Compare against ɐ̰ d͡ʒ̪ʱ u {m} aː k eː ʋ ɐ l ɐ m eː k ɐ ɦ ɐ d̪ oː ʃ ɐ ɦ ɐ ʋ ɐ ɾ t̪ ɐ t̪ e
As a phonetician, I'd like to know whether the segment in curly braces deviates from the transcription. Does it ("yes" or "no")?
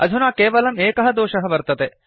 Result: yes